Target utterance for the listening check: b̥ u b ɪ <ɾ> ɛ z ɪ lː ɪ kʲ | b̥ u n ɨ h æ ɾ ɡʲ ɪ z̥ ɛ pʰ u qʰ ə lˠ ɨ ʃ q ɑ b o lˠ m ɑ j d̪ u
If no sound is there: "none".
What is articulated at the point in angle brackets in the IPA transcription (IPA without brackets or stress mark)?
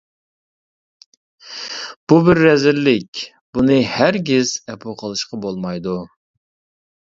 ɾː